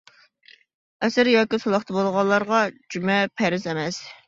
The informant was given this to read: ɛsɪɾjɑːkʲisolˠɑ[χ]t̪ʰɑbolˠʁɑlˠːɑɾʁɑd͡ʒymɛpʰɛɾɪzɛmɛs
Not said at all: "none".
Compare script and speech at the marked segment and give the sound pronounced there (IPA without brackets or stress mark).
χ